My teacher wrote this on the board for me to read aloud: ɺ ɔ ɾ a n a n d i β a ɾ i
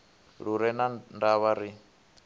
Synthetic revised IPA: ɺ u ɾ ɛ n a n d a β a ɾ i